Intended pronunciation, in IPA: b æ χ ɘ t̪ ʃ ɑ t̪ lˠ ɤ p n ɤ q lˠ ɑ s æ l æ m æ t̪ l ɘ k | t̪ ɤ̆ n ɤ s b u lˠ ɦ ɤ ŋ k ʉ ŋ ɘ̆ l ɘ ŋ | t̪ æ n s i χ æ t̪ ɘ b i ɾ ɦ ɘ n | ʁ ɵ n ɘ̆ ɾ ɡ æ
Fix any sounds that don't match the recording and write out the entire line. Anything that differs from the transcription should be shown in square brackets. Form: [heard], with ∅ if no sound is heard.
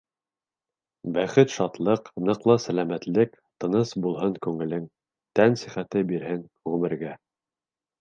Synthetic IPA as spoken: b æ χ ɘ t̪ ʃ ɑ t̪ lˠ ɤ [q] n ɤ q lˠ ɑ s æ l æ m æ t̪ l ɘ k | t̪ ɤ̆ n ɤ s b u lˠ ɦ ɤ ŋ k ʉ ŋ ɘ̆ l ɘ ŋ | t̪ æ n s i χ æ t̪ ɘ b i ɾ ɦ ɘ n | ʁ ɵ [m] ɘ̆ ɾ ɡ æ